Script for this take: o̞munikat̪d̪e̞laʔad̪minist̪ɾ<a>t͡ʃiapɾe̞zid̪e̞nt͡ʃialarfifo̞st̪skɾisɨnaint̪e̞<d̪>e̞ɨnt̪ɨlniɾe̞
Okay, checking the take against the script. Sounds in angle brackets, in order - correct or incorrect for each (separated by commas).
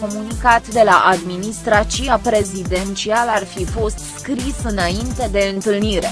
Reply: correct, correct